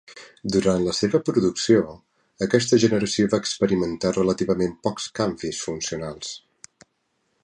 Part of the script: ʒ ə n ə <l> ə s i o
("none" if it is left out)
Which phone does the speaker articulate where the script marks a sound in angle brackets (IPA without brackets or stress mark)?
ɾ